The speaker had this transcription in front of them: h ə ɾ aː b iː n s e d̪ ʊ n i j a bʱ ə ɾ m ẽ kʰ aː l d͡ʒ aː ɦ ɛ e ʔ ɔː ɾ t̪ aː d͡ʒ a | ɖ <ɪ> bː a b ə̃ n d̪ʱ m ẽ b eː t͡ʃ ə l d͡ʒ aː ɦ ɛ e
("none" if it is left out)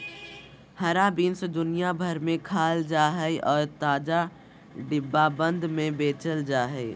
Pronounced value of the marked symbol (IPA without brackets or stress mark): ɪ